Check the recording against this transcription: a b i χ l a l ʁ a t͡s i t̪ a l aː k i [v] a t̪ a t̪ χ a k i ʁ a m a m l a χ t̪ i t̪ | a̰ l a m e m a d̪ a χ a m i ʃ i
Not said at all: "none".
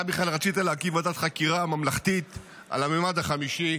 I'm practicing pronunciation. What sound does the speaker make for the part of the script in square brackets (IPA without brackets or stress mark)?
v